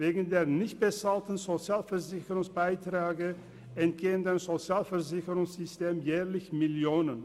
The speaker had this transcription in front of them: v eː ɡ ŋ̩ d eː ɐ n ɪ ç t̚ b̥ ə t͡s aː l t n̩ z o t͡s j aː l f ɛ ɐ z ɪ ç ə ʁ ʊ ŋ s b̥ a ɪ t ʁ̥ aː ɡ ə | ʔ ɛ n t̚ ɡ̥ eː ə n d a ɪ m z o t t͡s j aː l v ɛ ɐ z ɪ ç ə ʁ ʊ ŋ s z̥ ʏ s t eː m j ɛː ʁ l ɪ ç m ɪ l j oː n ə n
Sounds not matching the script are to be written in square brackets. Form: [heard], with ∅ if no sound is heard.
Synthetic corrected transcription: v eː ɡ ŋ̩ d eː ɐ n ɪ ç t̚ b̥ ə t͡s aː l t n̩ z o t͡s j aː l f ɛ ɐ z ɪ ç ə ʁ ʊ ŋ s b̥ a ɪ t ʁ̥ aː ɡ ə | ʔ ɛ n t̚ ɡ̥ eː ə n d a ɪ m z o [∅] t͡s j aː l [f] ɛ ɐ z ɪ ç ə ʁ ʊ ŋ s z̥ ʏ s t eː m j ɛː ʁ l ɪ ç m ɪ l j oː n ə n

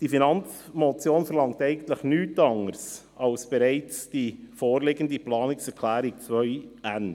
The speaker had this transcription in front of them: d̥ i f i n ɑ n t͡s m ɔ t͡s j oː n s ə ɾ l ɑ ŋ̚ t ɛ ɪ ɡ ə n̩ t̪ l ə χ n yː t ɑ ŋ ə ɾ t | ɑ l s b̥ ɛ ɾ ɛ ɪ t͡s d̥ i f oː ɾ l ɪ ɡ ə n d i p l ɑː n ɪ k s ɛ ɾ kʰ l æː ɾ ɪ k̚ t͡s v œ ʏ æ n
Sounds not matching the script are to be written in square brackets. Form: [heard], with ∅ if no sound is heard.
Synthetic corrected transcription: d̥ i f i n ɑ n t͡s m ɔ t͡s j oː n [f] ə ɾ l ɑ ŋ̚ t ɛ ɪ ɡ ə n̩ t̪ l ə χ n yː t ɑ ŋ ə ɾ [s] | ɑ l s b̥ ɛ ɾ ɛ ɪ t͡s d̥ i f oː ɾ l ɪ ɡ ə n d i p l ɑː n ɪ k s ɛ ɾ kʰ l æː ɾ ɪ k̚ t͡s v œ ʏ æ n

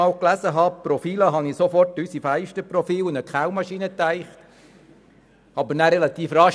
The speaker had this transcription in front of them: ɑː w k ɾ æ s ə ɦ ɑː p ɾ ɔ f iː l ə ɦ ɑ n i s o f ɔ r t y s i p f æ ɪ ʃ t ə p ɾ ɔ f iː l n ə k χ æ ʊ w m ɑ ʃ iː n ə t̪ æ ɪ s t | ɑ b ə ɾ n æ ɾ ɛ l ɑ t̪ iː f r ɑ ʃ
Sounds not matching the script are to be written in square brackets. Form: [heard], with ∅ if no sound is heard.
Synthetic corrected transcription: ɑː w k [l] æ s ə ɦ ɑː p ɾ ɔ f iː l ə ɦ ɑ n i s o f ɔ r t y s i [∅] f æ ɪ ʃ t ə p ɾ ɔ f iː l n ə k χ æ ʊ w m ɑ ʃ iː n ə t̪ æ ɪ [χ] t | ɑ b ə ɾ n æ ɾ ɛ l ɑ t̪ iː f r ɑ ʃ

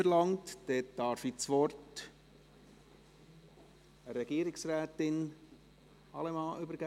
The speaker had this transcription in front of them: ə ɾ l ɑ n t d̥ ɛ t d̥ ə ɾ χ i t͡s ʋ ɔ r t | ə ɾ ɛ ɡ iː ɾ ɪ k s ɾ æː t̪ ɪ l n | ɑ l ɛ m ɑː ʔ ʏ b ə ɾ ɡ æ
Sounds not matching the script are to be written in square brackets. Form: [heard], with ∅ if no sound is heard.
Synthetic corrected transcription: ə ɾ l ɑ [ŋ] t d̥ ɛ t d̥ [ɑ] ɾ [f] i t͡s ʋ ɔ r t | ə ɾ ɛ ɡ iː ɾ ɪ k s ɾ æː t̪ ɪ [∅] n | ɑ l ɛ m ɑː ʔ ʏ b ə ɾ ɡ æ

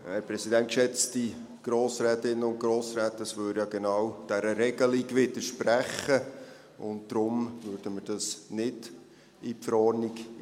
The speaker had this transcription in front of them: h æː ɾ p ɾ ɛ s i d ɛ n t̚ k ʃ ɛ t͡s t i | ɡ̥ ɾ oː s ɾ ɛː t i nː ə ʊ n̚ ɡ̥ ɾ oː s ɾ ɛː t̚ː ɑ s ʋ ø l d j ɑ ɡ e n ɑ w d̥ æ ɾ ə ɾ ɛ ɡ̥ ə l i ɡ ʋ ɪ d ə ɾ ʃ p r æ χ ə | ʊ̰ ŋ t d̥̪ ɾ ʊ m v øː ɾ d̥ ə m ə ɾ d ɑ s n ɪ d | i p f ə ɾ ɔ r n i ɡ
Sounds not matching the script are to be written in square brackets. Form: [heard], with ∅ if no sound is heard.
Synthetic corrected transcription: h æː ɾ p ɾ ɛ s i d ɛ n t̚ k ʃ ɛ t͡s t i | ɡ̥ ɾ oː s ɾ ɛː t [ɪ] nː ə ʊ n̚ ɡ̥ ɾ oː s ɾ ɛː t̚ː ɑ s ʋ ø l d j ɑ ɡ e n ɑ w d̥ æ ɾ ə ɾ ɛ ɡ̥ ə l i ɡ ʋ ɪ d ə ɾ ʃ p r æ χ ə | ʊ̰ [n] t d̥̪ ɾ ʊ m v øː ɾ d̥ ə m ə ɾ d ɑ s n ɪ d | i p f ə ɾ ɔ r n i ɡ

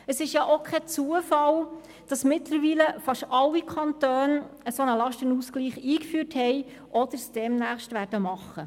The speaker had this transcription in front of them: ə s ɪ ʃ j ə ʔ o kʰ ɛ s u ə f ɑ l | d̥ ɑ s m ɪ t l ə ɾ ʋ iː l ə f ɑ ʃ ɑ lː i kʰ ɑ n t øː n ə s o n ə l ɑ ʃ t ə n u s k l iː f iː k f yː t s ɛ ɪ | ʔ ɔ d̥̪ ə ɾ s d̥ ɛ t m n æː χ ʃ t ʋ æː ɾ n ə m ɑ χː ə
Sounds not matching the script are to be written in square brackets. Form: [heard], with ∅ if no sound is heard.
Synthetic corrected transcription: ə s ɪ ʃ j [ɑ] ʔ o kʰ ɛ [t͡s] u ə f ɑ l | d̥ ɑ s m ɪ t l ə ɾ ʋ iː l ə f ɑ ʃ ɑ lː i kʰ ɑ n t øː n ə s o n ə l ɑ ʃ t ə n u s k l iː [χ] iː k f yː t [h] ɛ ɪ | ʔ ɔ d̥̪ ə ɾ s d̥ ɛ [∅] m n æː χ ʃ t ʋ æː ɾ [d] ə m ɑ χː ə

